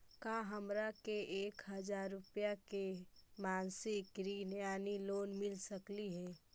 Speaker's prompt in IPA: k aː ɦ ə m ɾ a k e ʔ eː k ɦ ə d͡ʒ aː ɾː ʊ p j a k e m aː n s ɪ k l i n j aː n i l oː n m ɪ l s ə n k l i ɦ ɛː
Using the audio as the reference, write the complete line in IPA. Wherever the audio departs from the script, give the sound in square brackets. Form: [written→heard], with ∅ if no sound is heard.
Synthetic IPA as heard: k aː ɦ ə m ɾ a k e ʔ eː k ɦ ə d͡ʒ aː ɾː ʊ p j a k e m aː n s ɪ k [l→ɾ] i n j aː n i l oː n m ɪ l s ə [n→∅] k l i ɦ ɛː